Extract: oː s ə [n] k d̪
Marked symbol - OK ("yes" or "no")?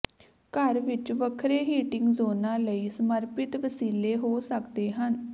no